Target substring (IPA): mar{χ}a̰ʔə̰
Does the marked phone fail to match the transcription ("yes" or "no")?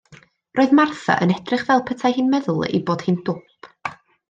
yes